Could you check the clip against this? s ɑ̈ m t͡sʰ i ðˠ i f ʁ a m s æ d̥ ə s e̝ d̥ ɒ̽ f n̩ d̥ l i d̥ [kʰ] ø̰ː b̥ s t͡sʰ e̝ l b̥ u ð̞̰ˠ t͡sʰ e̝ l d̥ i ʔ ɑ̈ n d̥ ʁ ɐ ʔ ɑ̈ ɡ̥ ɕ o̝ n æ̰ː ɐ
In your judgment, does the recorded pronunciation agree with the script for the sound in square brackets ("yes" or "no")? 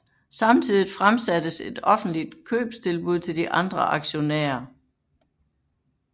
yes